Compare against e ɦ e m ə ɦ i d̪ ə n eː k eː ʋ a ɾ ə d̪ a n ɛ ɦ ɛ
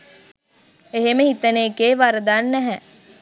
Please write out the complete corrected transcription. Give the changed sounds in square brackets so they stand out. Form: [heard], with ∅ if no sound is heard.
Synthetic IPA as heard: e ɦ e m ə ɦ i [t̪] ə n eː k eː ʋ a ɾ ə d̪ a [nː] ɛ ɦ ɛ